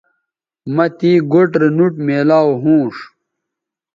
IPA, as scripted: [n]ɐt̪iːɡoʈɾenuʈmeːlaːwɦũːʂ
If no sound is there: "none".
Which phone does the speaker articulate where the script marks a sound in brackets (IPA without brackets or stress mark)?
m